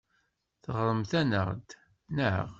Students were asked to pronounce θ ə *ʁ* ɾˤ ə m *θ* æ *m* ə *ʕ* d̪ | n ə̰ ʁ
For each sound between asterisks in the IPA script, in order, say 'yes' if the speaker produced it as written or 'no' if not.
yes, yes, no, no

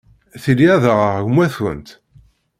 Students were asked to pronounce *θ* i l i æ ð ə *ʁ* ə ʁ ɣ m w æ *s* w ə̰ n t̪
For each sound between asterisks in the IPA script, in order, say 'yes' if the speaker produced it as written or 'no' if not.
yes, yes, no

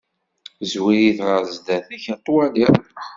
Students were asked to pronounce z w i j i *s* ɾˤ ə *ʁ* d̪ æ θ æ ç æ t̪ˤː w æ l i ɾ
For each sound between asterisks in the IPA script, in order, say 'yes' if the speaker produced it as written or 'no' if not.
no, no

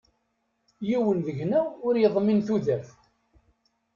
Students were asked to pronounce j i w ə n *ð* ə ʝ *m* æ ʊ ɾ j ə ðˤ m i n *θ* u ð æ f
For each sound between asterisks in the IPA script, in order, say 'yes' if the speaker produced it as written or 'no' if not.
yes, no, yes

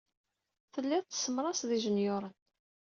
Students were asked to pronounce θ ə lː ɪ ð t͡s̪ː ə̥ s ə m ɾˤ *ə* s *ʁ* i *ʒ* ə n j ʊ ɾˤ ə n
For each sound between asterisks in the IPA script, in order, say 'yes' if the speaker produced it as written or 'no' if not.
no, no, yes

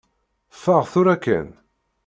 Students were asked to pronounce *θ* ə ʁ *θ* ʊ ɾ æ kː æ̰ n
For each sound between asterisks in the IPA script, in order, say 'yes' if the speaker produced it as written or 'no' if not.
no, yes

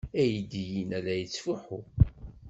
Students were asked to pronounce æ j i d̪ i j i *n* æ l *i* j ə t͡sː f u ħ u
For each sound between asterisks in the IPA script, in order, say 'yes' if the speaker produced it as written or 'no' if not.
yes, no

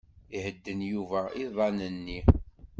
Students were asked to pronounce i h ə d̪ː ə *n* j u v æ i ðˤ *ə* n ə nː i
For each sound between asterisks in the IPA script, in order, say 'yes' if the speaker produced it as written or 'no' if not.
yes, no

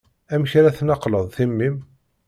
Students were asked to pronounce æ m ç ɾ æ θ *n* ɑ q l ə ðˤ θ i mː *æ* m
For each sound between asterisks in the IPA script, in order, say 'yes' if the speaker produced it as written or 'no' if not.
yes, no

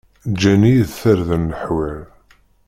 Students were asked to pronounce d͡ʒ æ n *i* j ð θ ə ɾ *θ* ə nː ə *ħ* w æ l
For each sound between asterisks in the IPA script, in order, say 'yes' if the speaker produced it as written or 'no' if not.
yes, no, yes

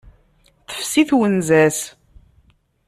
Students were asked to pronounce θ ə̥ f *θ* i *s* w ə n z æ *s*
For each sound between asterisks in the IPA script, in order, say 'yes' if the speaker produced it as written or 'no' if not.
no, no, yes

